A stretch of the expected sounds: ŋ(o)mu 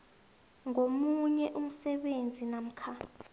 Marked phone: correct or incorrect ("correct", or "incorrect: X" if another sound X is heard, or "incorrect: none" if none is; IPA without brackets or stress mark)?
correct